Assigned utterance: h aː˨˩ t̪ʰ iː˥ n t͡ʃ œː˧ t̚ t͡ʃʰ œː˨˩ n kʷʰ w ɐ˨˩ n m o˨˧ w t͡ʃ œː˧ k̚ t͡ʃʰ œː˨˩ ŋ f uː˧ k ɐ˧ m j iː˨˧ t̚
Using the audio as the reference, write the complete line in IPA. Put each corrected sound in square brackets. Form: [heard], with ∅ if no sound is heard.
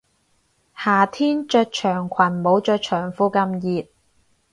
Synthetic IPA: h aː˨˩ t̪ʰ iː˥ n t͡ʃ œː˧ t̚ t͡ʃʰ œː˨˩ [ŋ] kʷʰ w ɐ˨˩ n m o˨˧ w t͡ʃ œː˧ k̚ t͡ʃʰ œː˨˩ ŋ f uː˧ k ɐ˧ m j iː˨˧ t̚